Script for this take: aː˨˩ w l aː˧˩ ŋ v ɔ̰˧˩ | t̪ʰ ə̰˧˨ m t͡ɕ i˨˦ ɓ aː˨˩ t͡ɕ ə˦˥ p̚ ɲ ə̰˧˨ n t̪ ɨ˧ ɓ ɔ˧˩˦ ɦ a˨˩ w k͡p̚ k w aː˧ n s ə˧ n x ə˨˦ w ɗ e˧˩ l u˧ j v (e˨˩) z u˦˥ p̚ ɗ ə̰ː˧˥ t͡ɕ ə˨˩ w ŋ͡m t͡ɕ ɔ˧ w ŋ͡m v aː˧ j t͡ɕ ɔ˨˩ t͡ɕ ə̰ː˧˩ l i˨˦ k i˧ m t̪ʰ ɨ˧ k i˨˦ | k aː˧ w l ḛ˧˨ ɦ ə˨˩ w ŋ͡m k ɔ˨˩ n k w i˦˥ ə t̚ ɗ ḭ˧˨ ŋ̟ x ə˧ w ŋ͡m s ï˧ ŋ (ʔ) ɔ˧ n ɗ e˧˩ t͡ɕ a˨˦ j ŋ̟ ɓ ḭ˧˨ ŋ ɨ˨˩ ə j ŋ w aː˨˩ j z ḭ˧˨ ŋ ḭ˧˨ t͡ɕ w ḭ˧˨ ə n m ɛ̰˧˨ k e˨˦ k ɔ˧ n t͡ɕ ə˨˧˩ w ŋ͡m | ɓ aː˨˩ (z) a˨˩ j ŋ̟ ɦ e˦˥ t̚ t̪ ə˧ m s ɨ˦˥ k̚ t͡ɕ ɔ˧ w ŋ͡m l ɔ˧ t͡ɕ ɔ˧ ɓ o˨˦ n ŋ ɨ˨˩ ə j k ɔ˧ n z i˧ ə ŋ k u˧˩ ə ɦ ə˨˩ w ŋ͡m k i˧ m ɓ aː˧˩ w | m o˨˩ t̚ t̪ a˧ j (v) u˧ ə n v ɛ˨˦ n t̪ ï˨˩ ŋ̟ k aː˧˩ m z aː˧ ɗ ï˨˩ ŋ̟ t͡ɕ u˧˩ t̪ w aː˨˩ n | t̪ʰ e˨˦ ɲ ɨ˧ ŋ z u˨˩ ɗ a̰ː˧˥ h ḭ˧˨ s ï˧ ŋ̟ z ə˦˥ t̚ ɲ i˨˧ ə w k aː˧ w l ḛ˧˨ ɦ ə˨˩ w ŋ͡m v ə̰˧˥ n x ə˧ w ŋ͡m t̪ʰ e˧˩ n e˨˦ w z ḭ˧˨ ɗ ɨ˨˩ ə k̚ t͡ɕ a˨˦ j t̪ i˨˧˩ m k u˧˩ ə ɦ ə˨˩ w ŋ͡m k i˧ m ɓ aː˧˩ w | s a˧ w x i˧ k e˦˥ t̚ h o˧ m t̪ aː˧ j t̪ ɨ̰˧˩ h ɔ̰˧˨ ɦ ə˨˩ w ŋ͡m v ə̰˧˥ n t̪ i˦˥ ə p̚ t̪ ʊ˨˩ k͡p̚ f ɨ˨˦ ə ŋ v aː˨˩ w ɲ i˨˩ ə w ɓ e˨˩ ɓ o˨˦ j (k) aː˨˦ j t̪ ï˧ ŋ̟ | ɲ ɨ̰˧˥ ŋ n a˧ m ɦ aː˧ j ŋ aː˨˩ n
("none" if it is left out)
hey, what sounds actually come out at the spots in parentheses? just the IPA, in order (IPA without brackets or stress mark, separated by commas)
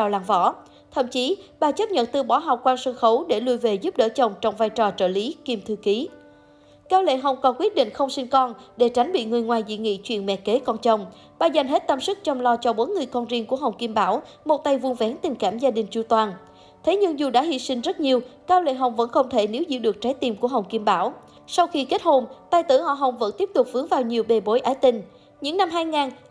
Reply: e˨˩, k, z, v, ʔ